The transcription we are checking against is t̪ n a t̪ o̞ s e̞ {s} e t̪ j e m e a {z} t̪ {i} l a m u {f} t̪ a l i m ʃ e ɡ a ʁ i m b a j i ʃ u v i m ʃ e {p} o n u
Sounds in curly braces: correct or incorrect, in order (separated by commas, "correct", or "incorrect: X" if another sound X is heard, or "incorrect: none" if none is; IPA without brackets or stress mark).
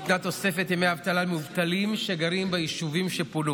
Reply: incorrect: f, incorrect: v, incorrect: a, incorrect: v, correct